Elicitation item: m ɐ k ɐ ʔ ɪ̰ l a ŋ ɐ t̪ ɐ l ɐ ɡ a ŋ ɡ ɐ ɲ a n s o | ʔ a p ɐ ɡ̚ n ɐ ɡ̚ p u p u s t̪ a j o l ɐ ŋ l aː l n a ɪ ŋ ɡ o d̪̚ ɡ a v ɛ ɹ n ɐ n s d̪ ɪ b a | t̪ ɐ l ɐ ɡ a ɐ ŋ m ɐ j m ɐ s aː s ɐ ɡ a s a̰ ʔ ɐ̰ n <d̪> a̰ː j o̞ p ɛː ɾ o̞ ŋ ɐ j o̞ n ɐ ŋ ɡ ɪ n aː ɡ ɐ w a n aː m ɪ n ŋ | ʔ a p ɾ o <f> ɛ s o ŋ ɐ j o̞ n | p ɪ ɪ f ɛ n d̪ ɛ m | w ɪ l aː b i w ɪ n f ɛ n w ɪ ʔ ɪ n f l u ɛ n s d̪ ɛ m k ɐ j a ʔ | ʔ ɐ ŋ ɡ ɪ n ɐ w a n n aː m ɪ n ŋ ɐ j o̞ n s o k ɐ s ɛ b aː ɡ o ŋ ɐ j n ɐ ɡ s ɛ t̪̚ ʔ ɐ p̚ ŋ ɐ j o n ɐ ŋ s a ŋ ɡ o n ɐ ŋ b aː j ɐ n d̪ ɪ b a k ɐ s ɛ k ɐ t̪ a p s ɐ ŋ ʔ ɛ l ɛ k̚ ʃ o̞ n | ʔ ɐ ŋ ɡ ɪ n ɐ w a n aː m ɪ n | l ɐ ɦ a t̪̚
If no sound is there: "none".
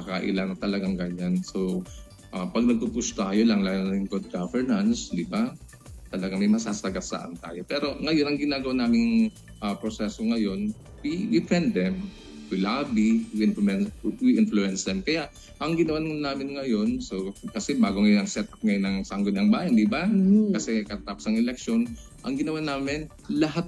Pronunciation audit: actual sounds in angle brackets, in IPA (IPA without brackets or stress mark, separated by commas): t̪, s